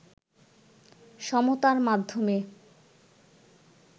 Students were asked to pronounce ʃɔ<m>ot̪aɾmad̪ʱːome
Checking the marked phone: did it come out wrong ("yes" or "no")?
no